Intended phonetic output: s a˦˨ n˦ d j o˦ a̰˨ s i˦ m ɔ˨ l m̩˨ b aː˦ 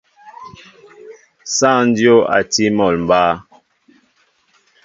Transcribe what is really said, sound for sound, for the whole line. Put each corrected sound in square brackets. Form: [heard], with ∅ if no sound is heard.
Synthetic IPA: s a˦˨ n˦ d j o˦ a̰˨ [t] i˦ m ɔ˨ l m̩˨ b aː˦